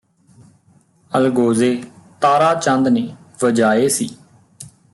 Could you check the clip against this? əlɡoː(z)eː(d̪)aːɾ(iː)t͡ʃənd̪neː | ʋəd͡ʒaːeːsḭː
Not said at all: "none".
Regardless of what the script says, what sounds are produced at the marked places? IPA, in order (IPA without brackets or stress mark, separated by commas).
z, t̪, aː